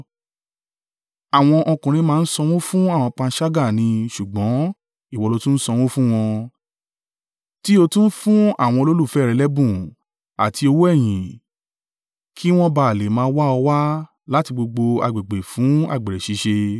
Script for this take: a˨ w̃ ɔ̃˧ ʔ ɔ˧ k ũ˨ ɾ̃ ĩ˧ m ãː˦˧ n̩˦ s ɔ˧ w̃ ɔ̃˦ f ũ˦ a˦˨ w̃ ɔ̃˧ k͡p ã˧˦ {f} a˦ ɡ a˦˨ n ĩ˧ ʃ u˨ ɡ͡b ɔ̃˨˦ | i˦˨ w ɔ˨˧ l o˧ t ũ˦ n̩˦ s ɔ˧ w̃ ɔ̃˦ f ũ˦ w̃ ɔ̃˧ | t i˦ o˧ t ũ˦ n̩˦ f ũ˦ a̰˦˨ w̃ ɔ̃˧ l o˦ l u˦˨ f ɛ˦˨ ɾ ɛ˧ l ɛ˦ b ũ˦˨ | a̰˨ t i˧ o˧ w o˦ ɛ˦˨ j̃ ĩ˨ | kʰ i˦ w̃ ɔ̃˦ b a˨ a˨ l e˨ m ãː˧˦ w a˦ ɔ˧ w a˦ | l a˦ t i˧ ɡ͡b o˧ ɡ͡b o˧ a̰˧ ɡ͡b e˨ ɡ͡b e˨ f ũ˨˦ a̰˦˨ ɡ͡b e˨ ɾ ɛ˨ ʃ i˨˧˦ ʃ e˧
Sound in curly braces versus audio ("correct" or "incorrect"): incorrect